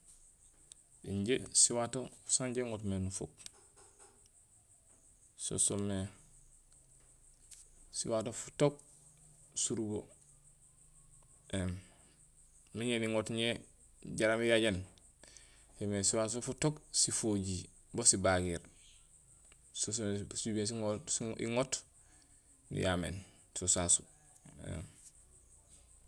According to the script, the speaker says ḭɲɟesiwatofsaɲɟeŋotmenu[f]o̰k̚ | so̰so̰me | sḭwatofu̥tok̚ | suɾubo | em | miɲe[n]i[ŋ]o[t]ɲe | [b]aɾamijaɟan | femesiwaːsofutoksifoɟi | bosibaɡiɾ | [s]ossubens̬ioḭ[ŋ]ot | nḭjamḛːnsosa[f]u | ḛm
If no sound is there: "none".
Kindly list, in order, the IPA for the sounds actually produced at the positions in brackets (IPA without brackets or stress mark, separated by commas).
f, n, ŋ, t, ɟ, s, ŋ, s